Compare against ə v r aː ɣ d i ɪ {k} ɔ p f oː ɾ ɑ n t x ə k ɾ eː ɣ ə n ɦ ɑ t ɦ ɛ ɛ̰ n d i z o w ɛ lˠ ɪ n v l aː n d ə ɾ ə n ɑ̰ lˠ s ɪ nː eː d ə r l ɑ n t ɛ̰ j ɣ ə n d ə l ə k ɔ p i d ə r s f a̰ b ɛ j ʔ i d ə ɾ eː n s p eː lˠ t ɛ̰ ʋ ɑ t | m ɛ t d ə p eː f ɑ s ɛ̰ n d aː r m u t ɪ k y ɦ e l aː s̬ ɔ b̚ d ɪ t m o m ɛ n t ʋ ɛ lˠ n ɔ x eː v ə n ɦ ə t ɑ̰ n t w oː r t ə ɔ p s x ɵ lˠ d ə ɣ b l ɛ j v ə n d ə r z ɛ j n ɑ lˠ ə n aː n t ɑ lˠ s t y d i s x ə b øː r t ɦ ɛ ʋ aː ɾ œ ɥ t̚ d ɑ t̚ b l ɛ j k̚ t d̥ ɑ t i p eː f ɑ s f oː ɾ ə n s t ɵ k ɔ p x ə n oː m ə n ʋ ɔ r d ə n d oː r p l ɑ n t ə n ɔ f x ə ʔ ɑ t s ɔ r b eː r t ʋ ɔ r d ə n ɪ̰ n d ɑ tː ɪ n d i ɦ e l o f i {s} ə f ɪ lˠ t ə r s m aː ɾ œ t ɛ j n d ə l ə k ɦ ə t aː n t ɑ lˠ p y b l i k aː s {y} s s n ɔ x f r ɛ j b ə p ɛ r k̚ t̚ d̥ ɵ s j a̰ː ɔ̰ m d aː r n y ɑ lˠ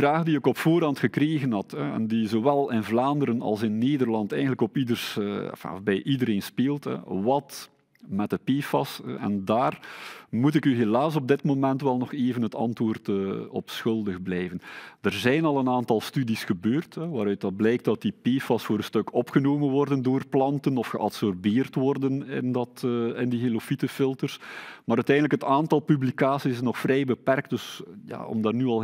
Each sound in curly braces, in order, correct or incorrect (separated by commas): correct, incorrect, incorrect